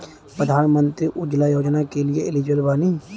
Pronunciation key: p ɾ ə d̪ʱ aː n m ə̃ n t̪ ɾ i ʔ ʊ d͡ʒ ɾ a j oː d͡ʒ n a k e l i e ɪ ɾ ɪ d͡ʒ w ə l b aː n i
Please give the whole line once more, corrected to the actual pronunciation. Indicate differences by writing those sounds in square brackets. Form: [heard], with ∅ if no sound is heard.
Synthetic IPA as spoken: p ɾ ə d̪ʱ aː n m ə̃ n t̪ ɾ i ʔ ʊ d͡ʒ [l] a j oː d͡ʒ n a k e l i e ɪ [l] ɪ d͡ʒ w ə l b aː n i